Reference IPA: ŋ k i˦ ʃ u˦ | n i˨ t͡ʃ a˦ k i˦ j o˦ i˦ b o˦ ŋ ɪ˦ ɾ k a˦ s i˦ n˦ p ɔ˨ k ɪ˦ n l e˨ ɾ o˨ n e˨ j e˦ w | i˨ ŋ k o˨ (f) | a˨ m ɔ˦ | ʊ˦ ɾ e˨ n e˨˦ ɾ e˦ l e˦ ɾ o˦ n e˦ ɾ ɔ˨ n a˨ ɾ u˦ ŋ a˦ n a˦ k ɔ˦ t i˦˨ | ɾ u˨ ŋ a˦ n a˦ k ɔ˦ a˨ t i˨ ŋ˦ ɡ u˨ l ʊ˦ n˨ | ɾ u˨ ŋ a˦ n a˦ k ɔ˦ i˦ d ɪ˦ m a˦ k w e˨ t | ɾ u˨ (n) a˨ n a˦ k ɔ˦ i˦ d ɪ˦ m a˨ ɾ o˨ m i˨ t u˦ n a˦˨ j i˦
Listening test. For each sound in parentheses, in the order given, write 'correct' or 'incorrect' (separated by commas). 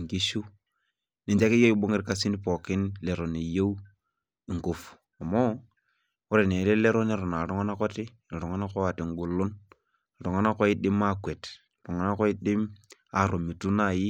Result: correct, incorrect